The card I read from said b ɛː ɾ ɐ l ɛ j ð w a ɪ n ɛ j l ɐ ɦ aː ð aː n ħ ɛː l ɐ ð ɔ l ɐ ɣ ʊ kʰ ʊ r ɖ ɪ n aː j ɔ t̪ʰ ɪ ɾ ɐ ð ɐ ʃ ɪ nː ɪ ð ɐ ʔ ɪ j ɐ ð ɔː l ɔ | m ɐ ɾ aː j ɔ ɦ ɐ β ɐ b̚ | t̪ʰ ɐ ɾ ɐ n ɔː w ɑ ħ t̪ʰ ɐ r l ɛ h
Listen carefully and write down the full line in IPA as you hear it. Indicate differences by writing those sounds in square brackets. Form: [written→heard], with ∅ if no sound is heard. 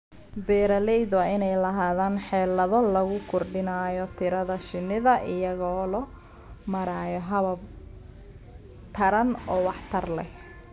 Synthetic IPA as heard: b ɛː ɾ ɐ l ɛ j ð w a ɪ n ɛ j l ɐ ɦ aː ð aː n ħ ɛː l ɐ ð ɔ l ɐ ɣ ʊ kʰ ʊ r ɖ ɪ n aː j ɔ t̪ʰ ɪ ɾ ɐ ð ɐ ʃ ɪ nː ɪ ð ɐ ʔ ɪ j ɐ [ð→ɣ] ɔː l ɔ | m ɐ ɾ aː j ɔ ɦ ɐ β ɐ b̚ | t̪ʰ ɐ ɾ ɐ n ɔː w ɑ ħ t̪ʰ ɐ r l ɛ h

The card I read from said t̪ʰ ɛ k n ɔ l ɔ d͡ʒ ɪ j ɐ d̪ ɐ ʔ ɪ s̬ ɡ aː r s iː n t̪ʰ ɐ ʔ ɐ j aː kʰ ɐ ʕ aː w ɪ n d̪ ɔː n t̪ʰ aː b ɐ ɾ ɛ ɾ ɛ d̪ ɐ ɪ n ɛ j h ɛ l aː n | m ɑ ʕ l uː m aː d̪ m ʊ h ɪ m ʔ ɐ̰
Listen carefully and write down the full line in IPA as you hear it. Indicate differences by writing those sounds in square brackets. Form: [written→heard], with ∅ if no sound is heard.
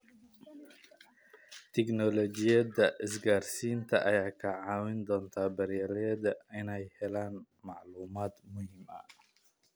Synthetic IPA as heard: t̪ʰ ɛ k n ɔ l ɔ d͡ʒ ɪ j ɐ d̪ ɐ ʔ ɪ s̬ ɡ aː r s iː n t̪ʰ ɐ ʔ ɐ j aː kʰ ɐ ʕ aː w ɪ n d̪ ɔː n t̪ʰ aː b ɐ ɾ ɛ ɾ ɛ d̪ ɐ ɪ n ɛ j h ɛ l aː n | m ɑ ʕ l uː m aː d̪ m ʊ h ɪ m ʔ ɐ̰

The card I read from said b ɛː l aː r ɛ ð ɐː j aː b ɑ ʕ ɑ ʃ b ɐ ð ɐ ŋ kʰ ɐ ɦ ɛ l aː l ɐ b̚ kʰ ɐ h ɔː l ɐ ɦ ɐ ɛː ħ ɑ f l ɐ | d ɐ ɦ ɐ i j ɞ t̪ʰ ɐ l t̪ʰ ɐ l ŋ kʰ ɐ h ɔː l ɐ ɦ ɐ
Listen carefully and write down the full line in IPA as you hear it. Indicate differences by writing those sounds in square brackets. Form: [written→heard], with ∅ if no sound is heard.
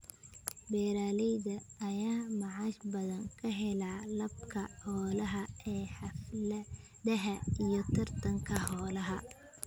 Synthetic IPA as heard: b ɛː [l→ɾ] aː [r→l] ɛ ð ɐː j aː [b→m] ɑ ʕ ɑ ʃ b ɐ ð ɐ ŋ kʰ ɐ ɦ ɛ l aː l ɐ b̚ kʰ ɐ h ɔː l ɐ ɦ ɐ ɛː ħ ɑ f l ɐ | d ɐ ɦ ɐ i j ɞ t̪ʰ ɐ [l→r] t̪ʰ ɐ [l→∅] ŋ kʰ ɐ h ɔː l ɐ ɦ ɐ

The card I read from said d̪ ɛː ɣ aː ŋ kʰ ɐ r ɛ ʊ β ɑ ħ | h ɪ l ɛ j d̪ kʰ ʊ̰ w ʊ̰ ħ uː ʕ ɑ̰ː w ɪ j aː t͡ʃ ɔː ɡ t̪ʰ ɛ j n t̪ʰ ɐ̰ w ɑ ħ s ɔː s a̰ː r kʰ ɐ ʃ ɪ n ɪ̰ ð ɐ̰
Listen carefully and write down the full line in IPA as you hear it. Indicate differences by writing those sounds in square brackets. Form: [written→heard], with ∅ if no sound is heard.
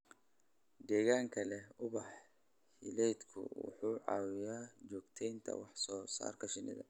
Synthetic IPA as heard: d̪ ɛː ɣ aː ŋ kʰ ɐ [r→l] ɛ ʊ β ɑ ħ | h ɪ l ɛ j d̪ kʰ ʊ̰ w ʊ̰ ħ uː ʕ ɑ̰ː w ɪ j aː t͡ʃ ɔː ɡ t̪ʰ ɛ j n t̪ʰ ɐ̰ w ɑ ħ s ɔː s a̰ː r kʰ ɐ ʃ ɪ n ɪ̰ ð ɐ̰

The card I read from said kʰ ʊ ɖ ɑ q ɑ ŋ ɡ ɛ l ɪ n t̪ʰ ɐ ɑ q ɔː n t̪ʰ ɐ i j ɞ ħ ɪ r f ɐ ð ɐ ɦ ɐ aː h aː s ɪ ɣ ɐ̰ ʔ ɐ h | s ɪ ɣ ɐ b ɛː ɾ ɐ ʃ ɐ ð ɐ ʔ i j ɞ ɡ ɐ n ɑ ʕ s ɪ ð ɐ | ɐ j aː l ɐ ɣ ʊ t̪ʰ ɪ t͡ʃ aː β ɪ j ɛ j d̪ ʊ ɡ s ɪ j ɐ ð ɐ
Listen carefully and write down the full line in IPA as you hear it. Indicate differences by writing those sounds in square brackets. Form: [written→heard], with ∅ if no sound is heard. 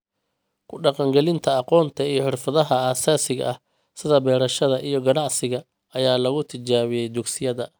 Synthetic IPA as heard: kʰ ʊ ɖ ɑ q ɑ ŋ ɡ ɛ l ɪ n t̪ʰ ɐ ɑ q ɔː n t̪ʰ ɐ i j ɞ ħ ɪ r f ɐ ð ɐ ɦ ɐ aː [h→s] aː s ɪ ɣ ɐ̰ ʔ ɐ h | s ɪ [ɣ→ð] ɐ b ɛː ɾ ɐ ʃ ɐ ð ɐ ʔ i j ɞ ɡ ɐ n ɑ ʕ s ɪ [ð→ɣ] ɐ | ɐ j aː l ɐ ɣ ʊ t̪ʰ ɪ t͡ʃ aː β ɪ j ɛ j d̪ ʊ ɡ s ɪ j ɐ ð ɐ

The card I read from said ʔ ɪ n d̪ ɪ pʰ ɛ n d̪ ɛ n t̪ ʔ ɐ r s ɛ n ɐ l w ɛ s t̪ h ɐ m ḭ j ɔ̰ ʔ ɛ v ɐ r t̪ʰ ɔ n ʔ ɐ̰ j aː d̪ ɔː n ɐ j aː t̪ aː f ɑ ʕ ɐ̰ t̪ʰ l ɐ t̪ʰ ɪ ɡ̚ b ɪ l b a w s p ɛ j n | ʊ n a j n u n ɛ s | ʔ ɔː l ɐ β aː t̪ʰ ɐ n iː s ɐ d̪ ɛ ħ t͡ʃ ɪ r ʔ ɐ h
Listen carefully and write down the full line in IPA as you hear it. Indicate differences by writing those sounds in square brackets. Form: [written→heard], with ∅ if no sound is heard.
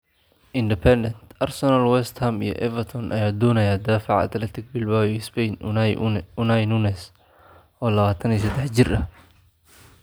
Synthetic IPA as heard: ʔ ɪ n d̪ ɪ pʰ ɛ n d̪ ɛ n t̪ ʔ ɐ r s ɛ n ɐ l w ɛ s t̪ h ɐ m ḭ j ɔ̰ ʔ ɛ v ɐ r t̪ʰ ɔ n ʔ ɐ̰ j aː d̪ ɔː n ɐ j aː [t̪→d̪] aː f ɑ ʕ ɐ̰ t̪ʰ l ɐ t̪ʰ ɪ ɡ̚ b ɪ l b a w s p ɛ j n | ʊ n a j n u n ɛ s | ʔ ɔː l ɐ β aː t̪ʰ ɐ n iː s ɐ d̪ ɛ ħ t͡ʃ ɪ r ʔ ɐ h

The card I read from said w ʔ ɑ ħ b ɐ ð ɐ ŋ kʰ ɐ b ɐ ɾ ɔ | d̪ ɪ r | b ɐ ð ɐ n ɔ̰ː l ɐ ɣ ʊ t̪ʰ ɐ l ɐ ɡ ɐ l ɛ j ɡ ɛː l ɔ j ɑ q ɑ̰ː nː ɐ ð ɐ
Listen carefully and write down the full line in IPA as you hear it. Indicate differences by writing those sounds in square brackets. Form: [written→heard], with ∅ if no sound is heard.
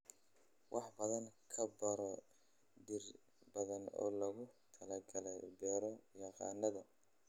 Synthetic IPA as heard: w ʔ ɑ ħ b ɐ ð ɐ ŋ kʰ ɐ b ɐ ɾ ɔ | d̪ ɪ r | b ɐ ð ɐ n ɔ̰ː l ɐ ɣ ʊ t̪ʰ ɐ l ɐ ɡ ɐ l ɛ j [ɡ→b] ɛː [l→ɾ] ɔ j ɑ q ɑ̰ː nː ɐ ð ɐ

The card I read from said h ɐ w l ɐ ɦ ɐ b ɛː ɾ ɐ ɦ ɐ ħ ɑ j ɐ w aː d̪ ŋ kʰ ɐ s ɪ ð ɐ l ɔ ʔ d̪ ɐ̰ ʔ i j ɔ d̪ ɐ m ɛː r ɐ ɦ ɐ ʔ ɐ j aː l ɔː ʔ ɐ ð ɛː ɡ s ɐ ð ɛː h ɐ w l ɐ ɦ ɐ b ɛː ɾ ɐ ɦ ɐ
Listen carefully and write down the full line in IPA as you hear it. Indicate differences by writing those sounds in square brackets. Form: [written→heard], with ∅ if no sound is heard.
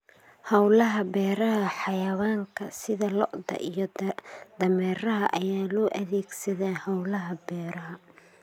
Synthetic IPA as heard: h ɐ w l ɐ ɦ ɐ b ɛː ɾ ɐ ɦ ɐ ħ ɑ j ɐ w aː [d̪→∅] ŋ kʰ ɐ s ɪ ð ɐ l ɔ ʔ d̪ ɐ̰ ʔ i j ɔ d̪ ɐ m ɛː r ɐ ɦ ɐ ʔ ɐ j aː l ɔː ʔ ɐ ð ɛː ɡ s ɐ ð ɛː h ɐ w l ɐ ɦ ɐ b ɛː ɾ ɐ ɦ ɐ

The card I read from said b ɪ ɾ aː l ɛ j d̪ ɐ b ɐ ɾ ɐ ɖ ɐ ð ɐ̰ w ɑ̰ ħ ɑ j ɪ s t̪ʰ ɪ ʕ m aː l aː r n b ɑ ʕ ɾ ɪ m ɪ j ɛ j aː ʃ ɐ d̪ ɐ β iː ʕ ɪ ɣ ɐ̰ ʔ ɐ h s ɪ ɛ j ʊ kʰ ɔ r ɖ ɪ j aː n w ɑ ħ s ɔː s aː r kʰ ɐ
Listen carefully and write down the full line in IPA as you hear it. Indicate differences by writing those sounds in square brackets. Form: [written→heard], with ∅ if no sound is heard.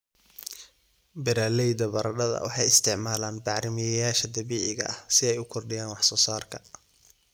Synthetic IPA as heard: b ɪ ɾ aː l ɛ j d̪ ɐ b ɐ ɾ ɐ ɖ ɐ ð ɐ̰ w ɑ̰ ħ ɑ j ɪ s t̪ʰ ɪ ʕ m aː l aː [r→∅] n b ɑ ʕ ɾ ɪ m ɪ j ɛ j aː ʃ ɐ d̪ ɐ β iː ʕ ɪ ɣ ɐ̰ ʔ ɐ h s ɪ ɛ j ʊ kʰ ɔ r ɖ ɪ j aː n w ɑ ħ s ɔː s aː r kʰ ɐ

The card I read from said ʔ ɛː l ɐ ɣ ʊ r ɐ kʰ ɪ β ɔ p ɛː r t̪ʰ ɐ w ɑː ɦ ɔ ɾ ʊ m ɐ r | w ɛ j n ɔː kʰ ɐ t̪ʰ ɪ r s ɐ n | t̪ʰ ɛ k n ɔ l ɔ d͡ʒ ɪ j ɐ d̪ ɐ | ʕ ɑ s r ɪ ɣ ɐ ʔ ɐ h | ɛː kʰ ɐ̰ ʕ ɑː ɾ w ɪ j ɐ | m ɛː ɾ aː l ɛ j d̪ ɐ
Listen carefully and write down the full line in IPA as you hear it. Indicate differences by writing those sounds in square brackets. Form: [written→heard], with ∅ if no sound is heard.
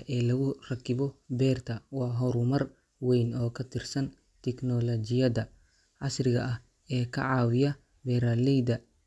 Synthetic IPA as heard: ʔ ɛː l ɐ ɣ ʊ r ɐ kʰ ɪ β ɔ [p→b] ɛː r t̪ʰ ɐ w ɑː ɦ ɔ ɾ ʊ m ɐ r | w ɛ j n ɔː kʰ ɐ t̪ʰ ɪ r s ɐ n | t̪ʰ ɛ k n ɔ l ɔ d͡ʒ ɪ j ɐ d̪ ɐ | ʕ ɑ s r ɪ ɣ ɐ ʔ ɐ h | ɛː kʰ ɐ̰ ʕ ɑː [ɾ→∅] w ɪ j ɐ | [m→b] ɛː ɾ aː l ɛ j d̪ ɐ

